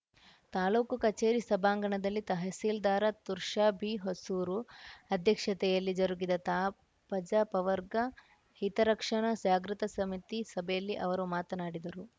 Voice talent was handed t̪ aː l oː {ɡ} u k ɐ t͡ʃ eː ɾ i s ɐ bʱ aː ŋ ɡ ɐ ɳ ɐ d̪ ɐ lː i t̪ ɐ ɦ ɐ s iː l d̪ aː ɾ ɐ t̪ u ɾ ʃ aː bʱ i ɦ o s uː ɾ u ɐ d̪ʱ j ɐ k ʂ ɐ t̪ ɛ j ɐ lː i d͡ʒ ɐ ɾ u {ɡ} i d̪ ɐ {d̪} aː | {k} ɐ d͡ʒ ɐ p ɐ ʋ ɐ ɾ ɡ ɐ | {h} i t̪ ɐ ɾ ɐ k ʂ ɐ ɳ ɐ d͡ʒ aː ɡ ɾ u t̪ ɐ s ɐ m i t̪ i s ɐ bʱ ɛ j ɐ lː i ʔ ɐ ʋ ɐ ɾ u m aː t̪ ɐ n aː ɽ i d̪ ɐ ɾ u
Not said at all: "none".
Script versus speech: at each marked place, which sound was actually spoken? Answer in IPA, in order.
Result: k, ɡ, t̪, p, h

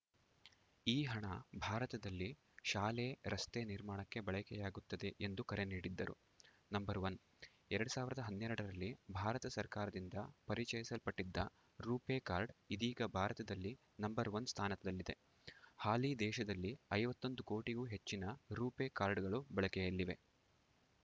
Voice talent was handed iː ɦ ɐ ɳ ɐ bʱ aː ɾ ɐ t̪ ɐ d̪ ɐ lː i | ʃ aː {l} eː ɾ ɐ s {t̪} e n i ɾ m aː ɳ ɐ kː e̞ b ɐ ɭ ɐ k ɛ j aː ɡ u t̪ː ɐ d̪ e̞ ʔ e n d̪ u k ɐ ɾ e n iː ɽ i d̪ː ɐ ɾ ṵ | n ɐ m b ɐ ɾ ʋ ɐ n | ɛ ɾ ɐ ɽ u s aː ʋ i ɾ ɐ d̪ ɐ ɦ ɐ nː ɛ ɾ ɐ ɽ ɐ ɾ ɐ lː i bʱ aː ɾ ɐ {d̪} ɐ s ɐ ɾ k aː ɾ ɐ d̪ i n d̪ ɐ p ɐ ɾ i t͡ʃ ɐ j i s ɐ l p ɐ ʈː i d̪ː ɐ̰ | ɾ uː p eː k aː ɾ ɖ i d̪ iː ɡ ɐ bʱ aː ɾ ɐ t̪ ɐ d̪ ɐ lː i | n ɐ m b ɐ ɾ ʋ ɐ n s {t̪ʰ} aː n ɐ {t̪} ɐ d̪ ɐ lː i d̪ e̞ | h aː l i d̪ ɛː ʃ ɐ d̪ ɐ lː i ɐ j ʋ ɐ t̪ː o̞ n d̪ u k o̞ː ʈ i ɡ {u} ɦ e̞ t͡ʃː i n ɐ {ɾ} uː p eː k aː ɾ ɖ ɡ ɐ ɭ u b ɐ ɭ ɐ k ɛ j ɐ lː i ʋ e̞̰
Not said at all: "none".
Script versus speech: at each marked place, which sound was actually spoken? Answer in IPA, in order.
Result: l, t̪, t̪, t̪ʰ, t̪, uː, ɾ

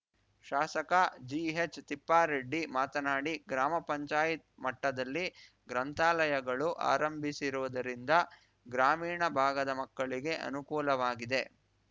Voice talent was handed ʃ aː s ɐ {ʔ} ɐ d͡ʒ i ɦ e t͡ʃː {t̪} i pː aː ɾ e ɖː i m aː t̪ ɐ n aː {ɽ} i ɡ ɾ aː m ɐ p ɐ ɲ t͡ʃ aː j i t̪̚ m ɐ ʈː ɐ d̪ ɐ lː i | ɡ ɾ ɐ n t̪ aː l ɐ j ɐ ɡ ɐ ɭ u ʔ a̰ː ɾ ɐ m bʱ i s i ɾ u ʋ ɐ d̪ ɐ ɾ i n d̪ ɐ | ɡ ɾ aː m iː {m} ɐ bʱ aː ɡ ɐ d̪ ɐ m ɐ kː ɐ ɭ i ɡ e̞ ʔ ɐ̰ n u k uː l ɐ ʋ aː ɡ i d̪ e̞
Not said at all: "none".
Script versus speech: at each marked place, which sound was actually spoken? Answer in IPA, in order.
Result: k, t̪, ɽ, ɳ

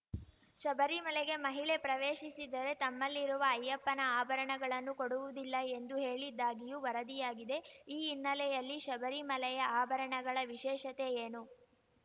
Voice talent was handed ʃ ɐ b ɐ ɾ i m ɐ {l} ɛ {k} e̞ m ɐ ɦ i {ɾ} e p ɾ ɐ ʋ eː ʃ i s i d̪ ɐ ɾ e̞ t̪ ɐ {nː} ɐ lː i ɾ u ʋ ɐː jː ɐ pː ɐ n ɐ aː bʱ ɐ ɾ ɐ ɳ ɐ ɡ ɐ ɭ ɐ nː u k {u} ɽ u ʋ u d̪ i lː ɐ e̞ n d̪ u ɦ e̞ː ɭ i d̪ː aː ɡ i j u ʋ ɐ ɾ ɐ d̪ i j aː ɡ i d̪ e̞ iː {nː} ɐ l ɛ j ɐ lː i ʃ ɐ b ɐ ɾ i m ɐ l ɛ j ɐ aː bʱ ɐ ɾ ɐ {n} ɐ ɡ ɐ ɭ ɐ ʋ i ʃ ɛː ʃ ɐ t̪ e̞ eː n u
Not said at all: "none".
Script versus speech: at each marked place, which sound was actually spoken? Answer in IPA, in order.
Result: l, ɡ, ɭ, mː, o, nː, ɳ

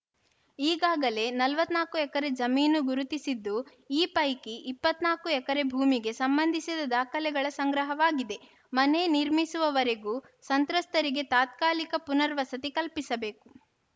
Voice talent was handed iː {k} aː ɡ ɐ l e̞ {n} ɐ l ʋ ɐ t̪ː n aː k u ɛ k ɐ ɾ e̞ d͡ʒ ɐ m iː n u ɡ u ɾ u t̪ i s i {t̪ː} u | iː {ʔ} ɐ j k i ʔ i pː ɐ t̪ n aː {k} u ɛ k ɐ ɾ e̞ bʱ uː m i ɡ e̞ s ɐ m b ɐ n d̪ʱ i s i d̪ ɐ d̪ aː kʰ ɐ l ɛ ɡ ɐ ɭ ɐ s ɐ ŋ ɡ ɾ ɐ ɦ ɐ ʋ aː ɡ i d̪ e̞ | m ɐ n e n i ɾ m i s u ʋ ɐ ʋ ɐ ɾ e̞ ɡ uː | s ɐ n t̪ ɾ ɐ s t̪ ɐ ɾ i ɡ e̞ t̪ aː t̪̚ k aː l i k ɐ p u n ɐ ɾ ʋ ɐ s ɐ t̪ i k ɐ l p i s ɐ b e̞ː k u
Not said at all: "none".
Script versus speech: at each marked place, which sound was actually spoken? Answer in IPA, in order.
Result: ɡ, n, d̪ː, p, k

